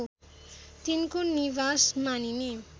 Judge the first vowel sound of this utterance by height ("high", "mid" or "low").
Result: high